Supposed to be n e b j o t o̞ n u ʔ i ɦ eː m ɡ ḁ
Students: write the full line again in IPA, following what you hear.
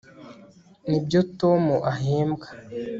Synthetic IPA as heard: n i b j o t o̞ m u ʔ a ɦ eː m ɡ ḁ